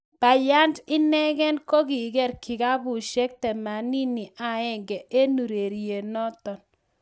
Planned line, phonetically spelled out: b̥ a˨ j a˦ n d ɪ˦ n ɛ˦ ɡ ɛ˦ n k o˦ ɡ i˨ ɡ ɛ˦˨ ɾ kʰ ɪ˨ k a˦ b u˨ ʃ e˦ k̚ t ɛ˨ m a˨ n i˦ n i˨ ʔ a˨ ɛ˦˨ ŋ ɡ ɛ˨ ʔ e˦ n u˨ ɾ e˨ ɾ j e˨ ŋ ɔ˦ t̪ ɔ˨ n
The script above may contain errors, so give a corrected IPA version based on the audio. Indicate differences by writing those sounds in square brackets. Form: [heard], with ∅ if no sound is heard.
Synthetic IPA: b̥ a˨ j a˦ n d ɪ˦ n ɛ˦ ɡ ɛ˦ n k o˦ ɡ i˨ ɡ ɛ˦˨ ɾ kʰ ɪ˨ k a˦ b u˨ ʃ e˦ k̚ t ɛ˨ m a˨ n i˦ n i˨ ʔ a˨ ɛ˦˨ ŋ ɡ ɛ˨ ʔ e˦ n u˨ ɾ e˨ ɾ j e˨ [n] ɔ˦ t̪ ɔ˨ n